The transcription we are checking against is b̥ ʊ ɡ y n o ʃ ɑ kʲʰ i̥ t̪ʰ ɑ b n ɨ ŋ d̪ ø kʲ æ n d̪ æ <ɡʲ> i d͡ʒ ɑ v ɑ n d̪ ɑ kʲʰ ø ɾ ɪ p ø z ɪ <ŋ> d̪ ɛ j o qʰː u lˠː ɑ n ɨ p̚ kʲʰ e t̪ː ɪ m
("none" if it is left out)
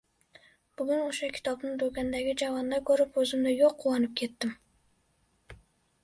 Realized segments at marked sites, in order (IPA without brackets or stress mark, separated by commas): ɡʲ, m